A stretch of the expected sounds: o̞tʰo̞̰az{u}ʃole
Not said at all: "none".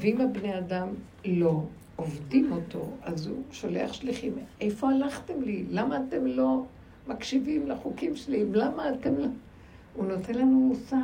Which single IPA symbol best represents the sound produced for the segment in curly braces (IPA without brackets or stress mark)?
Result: u